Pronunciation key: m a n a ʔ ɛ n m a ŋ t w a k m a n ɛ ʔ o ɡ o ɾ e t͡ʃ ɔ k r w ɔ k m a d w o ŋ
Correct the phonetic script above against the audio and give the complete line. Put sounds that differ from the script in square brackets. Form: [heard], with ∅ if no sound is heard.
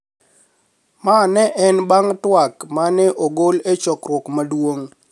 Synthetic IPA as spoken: m a n [ɛ] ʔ ɛ n [b] a ŋ t w a k m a n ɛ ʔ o ɡ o [l] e t͡ʃ ɔ k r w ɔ k m a d w o ŋ